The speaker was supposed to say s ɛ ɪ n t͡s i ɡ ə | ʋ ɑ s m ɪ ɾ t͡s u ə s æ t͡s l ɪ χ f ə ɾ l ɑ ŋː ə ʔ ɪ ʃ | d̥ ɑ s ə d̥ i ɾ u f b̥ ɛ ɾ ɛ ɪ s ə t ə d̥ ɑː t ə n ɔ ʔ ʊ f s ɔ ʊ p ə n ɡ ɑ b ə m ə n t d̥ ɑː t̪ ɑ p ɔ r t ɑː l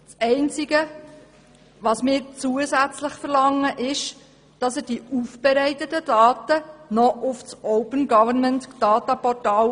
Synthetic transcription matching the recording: s ɛ ɪ n t͡s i ɡ ə | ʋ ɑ s m ɪː ɾ t͡s u ə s æ t͡s l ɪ χ f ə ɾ l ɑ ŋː ə ʔ ɪ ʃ | d̥ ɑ s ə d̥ i u f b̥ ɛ ɾ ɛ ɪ t ə t ə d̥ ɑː t ə n ɔ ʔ ʊ f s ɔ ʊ p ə n ɡ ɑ v ə m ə n t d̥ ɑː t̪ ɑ p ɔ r t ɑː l